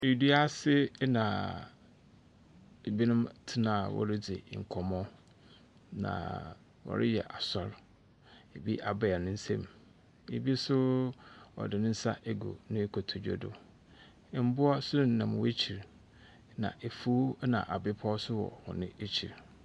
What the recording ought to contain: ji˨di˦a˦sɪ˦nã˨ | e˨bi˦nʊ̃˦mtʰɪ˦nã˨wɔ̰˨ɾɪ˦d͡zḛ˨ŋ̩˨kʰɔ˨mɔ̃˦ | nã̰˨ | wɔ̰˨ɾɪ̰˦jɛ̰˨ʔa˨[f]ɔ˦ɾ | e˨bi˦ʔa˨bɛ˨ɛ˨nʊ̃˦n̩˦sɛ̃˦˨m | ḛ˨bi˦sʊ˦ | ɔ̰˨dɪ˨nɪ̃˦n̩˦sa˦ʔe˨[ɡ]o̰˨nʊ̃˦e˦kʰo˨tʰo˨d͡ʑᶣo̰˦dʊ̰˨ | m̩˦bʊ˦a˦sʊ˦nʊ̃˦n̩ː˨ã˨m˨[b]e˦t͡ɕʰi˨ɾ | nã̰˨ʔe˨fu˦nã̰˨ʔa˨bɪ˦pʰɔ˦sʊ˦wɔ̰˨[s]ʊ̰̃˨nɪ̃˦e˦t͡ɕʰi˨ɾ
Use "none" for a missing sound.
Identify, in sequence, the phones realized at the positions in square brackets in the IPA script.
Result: s, ɡ, w, h

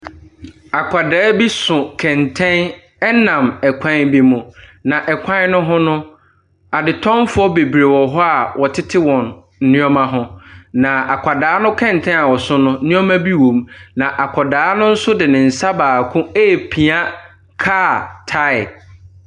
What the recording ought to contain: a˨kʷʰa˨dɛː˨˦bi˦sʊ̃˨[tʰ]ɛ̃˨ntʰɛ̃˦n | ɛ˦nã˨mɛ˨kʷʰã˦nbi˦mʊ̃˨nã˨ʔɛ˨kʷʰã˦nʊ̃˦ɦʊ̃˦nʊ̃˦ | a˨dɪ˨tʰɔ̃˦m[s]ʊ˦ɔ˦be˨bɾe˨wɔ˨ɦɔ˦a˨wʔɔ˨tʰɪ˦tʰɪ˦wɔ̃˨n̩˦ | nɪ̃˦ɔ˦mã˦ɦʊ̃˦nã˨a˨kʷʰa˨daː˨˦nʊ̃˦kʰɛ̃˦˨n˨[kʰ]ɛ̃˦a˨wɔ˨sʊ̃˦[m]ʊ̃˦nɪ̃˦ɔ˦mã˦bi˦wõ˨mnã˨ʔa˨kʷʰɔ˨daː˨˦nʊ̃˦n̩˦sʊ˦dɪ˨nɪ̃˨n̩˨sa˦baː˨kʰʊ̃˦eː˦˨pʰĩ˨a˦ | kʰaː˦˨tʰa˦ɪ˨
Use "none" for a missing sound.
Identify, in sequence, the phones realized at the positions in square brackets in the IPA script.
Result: kʰ, f, tʰ, n

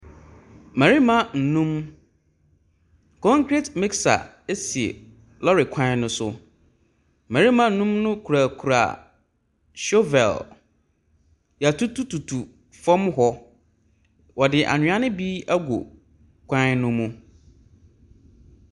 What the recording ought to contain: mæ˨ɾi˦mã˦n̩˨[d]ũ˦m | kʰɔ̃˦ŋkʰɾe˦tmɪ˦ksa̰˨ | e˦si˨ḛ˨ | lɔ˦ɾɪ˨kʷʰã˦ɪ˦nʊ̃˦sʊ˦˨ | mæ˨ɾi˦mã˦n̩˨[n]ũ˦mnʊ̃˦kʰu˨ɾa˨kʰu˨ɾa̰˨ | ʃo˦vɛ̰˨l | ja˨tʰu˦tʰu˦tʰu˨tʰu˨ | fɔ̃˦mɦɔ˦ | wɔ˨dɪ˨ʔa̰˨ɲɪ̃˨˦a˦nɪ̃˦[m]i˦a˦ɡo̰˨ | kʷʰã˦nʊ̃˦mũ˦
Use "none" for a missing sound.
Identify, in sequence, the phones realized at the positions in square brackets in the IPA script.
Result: n, n, b

